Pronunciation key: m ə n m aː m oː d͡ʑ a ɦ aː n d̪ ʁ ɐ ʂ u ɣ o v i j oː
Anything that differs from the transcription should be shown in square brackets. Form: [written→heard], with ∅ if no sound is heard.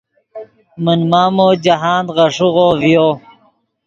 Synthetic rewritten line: m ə n m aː m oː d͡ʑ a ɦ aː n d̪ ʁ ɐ ʂ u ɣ o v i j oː